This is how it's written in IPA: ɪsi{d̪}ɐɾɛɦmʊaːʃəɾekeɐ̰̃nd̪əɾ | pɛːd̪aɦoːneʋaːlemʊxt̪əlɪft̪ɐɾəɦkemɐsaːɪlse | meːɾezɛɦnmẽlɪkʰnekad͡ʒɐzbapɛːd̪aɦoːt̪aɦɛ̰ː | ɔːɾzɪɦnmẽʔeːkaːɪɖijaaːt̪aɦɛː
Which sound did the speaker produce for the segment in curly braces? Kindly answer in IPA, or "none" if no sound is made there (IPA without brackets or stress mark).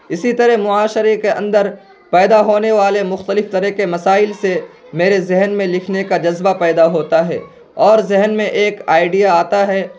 t̪